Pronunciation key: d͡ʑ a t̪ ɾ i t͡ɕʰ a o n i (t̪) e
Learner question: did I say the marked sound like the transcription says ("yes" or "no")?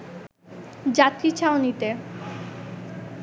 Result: yes